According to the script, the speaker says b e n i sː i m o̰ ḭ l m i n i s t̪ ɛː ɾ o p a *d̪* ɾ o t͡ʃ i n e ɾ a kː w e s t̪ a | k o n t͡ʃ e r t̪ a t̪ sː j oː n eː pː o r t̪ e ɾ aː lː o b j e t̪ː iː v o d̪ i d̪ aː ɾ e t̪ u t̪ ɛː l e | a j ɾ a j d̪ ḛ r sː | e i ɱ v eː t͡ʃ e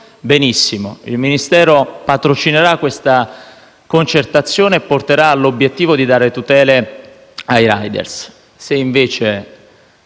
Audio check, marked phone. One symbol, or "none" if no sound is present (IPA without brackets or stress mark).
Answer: t̪